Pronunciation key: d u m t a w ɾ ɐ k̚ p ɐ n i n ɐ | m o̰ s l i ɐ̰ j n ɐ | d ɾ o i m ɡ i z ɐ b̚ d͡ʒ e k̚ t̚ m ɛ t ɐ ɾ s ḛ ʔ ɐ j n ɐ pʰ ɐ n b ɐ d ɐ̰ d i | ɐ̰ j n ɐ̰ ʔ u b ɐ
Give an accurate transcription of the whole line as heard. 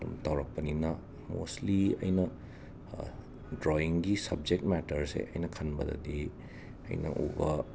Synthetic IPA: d u m t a w ɾ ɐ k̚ p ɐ n i n ɐ | m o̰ s l i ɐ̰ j n ɐ | d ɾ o i ŋ ɡ i s ɐ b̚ d͡ʒ e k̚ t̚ m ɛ t ɐ ɾ s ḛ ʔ ɐ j n ɐ kʰ ɐ n b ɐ d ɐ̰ d i | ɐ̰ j n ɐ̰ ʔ u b ɐ